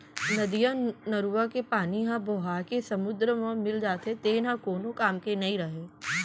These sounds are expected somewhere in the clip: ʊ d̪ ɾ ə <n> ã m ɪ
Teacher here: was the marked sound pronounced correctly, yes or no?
no